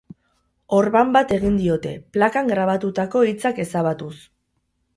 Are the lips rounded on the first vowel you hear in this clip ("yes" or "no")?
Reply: yes